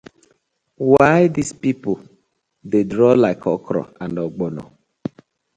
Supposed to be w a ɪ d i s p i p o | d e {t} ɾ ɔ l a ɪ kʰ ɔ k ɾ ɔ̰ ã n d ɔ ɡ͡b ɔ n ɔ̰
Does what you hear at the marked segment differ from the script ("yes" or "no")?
yes